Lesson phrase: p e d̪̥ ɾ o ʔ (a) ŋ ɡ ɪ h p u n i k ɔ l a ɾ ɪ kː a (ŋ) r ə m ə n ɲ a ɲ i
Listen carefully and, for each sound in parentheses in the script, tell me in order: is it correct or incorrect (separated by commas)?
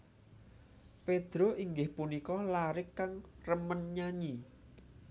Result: incorrect, correct